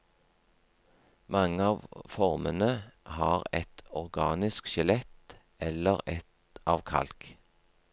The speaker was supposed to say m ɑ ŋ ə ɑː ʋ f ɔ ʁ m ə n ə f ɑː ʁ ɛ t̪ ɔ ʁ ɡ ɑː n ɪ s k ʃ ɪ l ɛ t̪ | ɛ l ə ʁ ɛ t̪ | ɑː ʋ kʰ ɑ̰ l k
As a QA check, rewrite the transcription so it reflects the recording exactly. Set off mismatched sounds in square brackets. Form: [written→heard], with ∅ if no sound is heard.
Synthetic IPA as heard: m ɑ ŋ ə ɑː ʋ f ɔ ʁ m ə n ə [f→h] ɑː ʁ ɛ t̪ ɔ ʁ ɡ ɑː n ɪ s k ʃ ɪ l ɛ t̪ | ɛ l ə ʁ ɛ t̪ | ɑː ʋ kʰ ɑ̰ l k